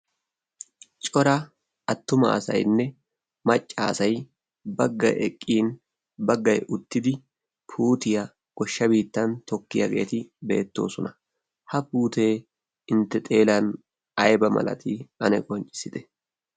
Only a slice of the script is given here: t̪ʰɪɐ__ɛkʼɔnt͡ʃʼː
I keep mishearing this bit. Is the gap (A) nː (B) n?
B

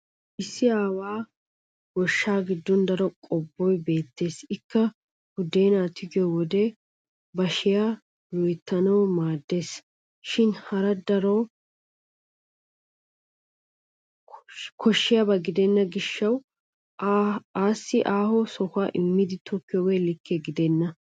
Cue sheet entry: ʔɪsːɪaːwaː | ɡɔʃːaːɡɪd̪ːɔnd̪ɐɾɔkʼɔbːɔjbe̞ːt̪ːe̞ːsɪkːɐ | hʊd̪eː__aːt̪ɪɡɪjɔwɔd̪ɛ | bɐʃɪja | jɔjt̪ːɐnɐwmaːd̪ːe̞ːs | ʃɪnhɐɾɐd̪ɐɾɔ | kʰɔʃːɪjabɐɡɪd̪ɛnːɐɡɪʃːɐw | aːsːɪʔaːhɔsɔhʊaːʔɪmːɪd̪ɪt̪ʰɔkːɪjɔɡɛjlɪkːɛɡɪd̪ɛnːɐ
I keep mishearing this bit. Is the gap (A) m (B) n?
B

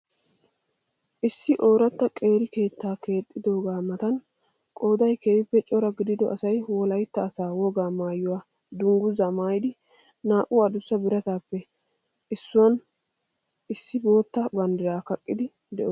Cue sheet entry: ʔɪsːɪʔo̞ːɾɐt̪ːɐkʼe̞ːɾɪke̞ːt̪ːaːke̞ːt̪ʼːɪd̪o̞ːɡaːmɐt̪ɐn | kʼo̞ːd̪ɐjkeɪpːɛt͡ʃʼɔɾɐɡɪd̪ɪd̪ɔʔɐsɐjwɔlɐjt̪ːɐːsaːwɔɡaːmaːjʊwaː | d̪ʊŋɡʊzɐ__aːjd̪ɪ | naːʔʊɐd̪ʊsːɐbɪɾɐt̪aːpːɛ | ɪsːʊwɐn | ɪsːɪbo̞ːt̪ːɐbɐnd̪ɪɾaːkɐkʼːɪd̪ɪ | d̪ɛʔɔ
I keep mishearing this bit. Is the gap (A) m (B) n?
A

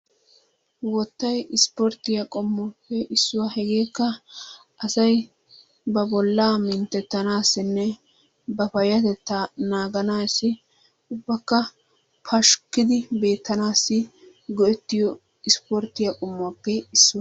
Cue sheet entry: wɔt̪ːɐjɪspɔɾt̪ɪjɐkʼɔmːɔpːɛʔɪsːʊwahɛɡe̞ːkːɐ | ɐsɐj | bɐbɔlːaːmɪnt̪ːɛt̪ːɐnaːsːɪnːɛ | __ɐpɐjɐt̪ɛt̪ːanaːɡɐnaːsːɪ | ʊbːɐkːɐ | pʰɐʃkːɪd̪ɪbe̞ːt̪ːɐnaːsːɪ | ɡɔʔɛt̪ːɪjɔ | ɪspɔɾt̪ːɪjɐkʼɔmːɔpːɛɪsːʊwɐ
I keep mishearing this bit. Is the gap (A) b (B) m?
A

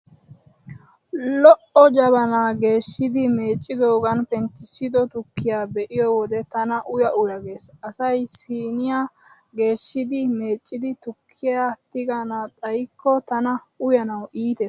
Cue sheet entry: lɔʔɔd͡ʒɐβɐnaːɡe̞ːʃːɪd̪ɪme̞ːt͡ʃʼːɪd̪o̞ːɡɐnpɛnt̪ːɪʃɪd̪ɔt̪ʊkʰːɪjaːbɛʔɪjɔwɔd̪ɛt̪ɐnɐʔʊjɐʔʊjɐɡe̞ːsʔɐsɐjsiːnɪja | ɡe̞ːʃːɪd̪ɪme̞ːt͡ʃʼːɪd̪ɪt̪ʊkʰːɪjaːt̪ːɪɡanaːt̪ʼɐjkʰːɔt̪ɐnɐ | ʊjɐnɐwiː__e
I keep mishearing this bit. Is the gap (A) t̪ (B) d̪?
A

